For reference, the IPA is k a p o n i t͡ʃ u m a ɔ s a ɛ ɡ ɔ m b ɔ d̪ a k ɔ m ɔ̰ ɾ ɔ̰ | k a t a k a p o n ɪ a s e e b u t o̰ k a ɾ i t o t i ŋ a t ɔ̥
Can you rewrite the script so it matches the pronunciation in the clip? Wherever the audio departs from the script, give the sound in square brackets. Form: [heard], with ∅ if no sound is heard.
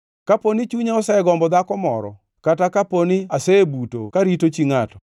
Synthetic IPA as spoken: k a p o n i t͡ʃ u [ɲ] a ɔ s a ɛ ɡ ɔ m b ɔ d̪ a k ɔ m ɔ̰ ɾ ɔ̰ | k a t a k a p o n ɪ a s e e b u t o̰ k a ɾ i t o [t͡ʃ] i ŋ a t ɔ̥